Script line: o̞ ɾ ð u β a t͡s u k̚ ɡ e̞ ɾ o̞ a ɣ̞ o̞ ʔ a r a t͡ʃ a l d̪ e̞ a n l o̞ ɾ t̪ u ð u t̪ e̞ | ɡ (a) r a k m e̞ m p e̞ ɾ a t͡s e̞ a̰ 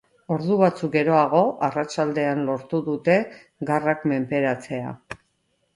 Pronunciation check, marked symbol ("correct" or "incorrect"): correct